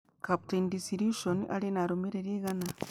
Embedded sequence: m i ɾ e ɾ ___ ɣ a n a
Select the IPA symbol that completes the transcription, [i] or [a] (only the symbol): i